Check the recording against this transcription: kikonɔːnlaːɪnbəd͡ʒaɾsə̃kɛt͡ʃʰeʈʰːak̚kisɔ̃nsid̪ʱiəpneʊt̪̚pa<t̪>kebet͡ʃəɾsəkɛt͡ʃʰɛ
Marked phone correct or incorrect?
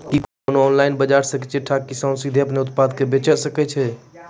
incorrect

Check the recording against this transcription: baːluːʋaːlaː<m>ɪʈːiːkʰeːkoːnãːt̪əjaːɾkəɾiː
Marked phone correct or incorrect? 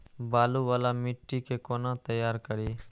correct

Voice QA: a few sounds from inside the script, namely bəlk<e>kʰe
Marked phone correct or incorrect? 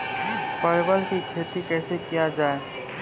incorrect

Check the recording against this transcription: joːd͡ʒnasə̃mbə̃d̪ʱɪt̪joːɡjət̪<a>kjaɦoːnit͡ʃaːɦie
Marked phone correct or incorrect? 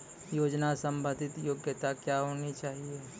correct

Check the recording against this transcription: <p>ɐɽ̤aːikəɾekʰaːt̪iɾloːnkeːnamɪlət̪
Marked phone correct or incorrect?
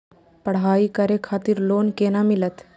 correct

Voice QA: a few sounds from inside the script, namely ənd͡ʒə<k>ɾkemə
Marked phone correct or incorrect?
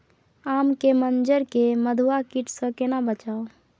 incorrect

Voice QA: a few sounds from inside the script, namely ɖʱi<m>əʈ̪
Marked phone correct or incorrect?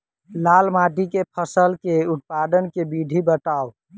incorrect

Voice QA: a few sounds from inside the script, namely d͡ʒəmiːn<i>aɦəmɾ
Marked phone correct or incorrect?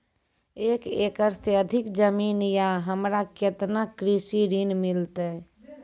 incorrect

